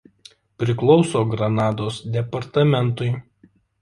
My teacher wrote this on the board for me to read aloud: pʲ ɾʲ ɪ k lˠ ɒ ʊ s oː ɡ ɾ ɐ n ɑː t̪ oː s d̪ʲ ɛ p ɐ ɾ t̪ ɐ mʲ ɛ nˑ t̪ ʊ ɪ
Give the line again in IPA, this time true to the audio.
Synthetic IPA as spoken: pʲ ɾʲ ɪ k lˠ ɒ ʊ s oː ɡ ɾ ɐ n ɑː d̪ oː s d̪ʲ ɛ p ɐ ɾ t̪ ɐ mʲ ɛ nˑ t̪ ʊ ɪ